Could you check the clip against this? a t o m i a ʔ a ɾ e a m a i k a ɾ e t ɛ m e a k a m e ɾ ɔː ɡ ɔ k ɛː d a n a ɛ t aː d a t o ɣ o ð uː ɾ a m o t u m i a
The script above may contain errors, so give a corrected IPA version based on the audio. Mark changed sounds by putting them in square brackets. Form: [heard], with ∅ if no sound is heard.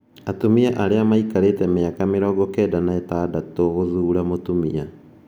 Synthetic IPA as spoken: a t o m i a ʔ a ɾ e a m a i k a ɾ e t ɛ m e a k a m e ɾ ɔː ɡ ɔ k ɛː d a n a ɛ t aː d a t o ɣ o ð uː ɾ a m o t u m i a